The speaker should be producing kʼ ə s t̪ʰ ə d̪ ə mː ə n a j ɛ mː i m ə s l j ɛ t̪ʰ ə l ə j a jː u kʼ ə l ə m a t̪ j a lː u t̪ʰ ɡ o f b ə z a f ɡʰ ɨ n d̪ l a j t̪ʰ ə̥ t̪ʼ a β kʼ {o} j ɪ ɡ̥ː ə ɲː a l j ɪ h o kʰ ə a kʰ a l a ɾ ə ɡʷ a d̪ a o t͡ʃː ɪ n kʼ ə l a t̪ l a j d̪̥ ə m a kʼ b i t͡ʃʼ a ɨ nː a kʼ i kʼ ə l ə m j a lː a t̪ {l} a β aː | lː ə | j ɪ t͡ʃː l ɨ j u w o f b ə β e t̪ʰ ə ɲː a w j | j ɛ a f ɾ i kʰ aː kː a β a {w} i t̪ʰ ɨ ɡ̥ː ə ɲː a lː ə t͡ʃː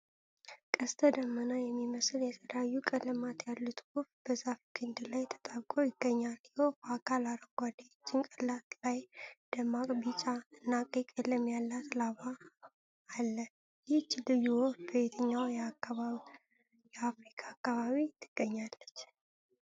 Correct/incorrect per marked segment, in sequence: correct, correct, incorrect

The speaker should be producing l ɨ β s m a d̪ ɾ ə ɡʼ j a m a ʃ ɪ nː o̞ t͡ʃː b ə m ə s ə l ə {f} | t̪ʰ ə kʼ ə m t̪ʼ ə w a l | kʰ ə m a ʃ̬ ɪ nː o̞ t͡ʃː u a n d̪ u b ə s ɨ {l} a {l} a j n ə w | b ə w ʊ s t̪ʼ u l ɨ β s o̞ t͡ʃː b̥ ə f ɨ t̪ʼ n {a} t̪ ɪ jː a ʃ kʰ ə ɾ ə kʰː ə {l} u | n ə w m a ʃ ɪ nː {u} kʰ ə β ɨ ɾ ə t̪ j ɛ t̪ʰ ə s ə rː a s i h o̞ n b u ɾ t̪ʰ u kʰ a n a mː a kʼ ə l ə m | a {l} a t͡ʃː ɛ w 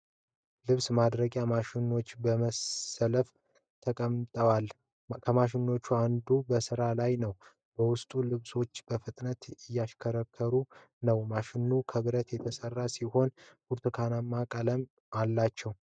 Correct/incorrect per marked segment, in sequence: correct, incorrect, correct, incorrect, incorrect, correct, incorrect

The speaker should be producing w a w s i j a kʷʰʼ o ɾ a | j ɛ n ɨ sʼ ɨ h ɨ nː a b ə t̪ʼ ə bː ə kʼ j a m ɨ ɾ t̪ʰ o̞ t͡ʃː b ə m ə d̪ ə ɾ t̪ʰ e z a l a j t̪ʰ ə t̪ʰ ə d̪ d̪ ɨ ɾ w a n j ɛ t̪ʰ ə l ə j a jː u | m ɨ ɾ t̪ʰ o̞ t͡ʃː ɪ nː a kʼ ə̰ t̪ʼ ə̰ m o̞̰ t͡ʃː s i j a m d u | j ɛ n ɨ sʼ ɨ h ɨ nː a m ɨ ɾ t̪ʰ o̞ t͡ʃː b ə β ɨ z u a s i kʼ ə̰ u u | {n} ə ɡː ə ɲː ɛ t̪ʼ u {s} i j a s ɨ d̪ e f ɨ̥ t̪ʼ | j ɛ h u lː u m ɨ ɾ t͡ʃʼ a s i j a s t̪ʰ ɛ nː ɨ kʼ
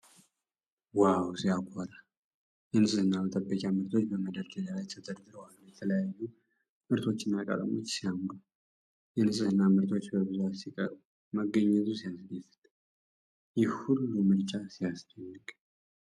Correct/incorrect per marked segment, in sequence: incorrect, correct

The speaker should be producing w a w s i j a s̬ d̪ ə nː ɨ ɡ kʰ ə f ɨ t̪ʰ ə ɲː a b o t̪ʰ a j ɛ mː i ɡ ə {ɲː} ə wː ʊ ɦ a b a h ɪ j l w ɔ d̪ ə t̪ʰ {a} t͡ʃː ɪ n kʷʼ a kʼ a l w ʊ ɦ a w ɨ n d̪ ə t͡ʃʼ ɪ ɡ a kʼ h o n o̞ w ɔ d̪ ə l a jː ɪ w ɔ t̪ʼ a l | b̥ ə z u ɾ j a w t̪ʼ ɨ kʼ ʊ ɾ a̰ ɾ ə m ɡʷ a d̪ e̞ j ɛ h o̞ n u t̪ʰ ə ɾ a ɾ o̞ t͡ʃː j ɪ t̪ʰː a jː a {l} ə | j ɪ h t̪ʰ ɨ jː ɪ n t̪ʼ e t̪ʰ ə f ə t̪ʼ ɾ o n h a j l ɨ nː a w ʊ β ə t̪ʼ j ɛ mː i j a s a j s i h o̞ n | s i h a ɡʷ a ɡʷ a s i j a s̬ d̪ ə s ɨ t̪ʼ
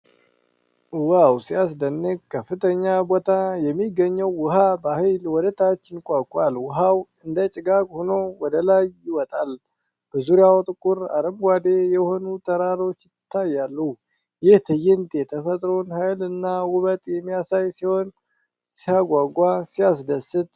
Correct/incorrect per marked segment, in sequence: correct, correct, incorrect

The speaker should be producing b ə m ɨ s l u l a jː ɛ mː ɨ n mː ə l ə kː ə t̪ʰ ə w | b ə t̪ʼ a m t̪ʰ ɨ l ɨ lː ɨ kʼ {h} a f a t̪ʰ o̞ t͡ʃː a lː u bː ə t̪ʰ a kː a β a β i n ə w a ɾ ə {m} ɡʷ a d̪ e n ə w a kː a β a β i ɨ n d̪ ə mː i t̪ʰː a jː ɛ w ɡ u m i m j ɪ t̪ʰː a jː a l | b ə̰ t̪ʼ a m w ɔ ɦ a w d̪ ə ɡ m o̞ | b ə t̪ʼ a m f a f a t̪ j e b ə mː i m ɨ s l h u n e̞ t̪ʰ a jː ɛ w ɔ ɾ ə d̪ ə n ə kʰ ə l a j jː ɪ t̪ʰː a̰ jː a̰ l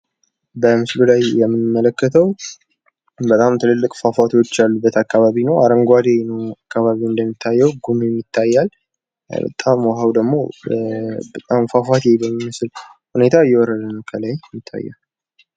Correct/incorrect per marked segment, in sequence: incorrect, incorrect

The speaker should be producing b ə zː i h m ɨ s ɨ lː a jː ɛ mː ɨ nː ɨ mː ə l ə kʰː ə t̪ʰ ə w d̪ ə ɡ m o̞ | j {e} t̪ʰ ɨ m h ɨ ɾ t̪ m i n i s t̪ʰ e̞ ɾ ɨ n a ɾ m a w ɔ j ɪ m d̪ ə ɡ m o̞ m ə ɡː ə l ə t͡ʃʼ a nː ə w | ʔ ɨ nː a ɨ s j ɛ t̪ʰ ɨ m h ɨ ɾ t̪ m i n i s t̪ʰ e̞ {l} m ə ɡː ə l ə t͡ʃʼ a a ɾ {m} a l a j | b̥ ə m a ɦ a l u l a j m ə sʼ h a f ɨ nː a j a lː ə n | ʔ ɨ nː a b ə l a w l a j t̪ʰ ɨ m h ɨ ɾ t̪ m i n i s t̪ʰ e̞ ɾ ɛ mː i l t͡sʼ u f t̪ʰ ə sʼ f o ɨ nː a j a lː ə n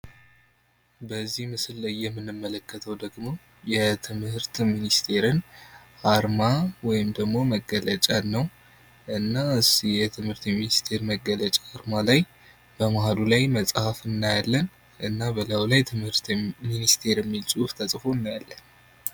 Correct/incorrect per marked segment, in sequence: incorrect, incorrect, correct

